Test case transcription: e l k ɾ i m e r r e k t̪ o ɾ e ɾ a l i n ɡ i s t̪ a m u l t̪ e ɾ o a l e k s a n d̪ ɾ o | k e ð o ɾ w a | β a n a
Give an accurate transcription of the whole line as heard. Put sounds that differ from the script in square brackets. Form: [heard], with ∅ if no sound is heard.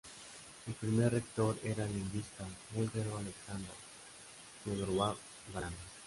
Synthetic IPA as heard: e l [p] ɾ i m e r r e k t̪ o ɾ e ɾ a l i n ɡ i s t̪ a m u l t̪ e ɾ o a l e k s a n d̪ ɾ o | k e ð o ɾ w a | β a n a